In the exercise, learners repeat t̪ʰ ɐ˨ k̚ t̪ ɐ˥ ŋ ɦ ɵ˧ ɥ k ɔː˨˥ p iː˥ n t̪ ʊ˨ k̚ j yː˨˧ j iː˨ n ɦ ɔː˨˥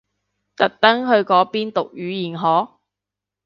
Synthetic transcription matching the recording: t̪ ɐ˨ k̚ t̪ ɐ˥ ŋ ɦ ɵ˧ ɥ k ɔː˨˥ p iː˥ n t̪ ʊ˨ k̚ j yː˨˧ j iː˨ n ɦ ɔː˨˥

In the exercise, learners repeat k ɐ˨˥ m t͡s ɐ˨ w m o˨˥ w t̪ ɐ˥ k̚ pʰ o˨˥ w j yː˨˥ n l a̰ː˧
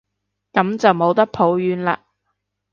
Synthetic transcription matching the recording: k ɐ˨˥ m t͡s ɐ˨ w m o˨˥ w t̪ ɐ˥ k̚ pʰ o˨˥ w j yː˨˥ n l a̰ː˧

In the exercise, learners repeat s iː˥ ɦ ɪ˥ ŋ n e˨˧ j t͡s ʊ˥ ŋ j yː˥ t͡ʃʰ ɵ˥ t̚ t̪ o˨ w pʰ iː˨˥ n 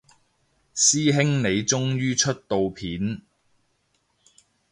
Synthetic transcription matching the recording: s iː˥ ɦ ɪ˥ ŋ n e˨˧ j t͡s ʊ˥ ŋ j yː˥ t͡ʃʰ ɵ˥ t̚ t̪ o˨ w pʰ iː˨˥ n

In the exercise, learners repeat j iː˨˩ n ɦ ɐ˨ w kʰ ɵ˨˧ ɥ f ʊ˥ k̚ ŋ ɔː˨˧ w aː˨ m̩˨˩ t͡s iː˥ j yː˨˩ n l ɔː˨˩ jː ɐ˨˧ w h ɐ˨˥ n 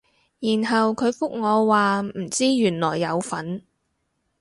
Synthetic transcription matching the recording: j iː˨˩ n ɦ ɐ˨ w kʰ ɵ˨˧ ɥ f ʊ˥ k̚ ŋ ɔː˨˧ w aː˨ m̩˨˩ t͡s iː˥ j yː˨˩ n l ɔː˨˩ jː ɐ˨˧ w f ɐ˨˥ n

